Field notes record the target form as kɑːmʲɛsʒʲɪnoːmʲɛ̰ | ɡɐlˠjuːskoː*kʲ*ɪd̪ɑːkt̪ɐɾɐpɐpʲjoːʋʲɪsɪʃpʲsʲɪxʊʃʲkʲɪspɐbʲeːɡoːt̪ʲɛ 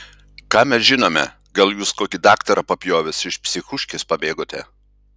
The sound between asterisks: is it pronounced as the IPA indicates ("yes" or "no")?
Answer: yes